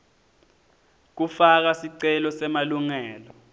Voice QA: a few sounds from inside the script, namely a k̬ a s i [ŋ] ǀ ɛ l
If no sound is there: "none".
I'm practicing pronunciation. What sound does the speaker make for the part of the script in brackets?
none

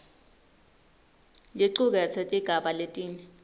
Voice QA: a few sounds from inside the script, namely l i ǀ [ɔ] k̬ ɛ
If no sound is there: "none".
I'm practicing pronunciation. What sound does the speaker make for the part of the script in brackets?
u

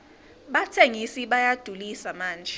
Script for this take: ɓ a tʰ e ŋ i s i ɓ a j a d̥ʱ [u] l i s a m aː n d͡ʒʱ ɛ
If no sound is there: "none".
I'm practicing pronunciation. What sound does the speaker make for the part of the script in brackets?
u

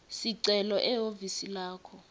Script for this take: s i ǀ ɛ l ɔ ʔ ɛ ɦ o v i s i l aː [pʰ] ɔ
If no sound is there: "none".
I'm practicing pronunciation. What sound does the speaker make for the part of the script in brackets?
kʰ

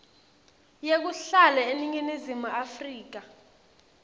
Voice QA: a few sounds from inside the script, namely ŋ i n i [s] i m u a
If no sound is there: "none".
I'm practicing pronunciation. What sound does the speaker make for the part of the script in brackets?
z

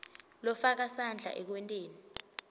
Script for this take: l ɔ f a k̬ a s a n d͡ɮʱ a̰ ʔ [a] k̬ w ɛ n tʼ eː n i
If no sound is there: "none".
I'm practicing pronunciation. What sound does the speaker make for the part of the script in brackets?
ɛ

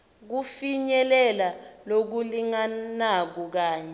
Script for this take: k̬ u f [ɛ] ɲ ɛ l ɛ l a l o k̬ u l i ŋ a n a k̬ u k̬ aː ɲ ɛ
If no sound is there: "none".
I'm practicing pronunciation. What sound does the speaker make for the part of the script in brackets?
i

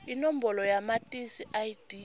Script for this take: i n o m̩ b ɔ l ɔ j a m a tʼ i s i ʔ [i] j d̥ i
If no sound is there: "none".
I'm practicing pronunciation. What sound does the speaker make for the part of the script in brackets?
a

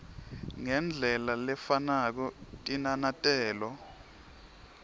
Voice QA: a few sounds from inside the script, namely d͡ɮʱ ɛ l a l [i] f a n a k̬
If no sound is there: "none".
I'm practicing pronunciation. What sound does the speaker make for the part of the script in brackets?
ɛ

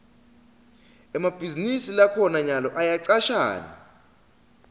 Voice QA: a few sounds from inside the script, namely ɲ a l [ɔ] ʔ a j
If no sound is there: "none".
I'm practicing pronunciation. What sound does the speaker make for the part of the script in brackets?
ɔ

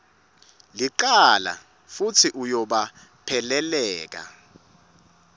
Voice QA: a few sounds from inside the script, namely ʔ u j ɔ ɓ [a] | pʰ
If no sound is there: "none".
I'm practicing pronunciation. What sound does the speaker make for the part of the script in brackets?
a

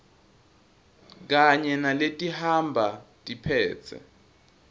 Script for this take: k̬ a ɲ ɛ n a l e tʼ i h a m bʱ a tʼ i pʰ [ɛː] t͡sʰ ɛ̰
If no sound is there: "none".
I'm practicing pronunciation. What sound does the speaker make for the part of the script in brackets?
ɛː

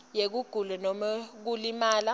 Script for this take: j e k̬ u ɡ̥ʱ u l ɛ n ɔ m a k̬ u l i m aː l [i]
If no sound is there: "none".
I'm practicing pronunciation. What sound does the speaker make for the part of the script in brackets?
a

